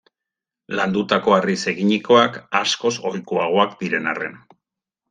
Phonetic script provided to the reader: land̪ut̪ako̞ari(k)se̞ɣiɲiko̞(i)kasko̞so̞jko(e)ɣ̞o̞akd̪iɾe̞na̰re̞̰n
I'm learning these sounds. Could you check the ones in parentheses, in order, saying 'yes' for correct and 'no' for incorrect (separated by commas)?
no, no, no